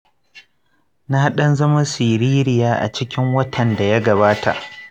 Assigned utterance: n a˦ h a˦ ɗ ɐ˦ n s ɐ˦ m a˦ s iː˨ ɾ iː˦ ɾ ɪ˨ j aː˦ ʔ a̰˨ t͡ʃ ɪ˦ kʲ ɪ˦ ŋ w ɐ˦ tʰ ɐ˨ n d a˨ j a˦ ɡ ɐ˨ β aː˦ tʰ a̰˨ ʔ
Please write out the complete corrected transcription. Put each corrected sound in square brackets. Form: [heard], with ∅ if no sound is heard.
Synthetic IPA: n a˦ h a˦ ɗ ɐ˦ n [z] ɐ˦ m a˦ s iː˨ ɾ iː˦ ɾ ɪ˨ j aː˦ ʔ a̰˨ t͡ʃ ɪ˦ kʲ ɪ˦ ŋ w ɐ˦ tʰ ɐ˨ n d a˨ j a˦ ɡ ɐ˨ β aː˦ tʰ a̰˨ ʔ